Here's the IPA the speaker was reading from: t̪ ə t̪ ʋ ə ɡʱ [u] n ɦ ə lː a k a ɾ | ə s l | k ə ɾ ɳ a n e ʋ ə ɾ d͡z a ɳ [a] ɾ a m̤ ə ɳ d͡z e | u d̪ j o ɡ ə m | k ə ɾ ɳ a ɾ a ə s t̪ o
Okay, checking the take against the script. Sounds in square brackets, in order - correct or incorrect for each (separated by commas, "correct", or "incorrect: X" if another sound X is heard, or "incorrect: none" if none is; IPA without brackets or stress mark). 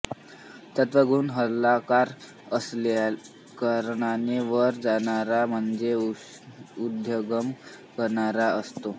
incorrect: uː, correct